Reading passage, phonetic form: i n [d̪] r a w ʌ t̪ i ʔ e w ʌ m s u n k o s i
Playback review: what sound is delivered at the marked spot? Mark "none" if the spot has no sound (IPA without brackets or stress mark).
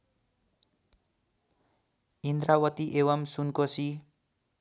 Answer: d̪